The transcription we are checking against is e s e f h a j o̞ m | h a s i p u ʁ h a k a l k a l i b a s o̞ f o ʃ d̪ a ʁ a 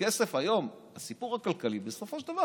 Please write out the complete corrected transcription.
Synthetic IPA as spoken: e s e f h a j o̞ m | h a s i p u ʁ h a k a l k a l i b e s o̞ f o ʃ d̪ a v a